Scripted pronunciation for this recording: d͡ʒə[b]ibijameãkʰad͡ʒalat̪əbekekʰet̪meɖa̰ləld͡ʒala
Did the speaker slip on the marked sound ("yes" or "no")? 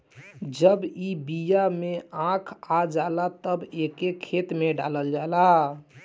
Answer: no